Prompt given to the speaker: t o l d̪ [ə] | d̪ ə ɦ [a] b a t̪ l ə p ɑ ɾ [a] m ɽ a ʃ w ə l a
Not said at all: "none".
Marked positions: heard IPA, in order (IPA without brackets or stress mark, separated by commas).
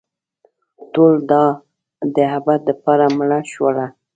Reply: ɑ, a, a